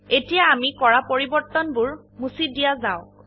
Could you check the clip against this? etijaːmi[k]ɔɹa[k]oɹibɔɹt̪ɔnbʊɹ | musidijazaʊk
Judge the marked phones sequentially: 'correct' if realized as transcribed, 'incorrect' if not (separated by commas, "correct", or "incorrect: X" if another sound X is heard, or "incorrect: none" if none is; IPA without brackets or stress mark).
correct, incorrect: p